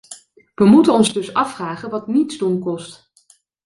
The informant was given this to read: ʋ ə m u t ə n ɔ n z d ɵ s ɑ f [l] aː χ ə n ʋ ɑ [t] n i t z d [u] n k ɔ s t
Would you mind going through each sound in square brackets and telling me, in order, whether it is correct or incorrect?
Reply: incorrect, correct, correct

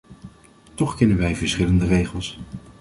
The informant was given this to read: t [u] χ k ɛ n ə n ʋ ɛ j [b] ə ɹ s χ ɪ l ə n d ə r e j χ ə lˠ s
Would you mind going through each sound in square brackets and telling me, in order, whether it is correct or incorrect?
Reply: incorrect, incorrect

